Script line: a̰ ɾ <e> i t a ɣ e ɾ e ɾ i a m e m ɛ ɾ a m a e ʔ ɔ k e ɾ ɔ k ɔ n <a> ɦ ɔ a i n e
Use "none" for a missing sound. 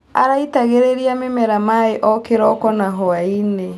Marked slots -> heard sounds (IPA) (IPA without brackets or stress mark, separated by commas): a, a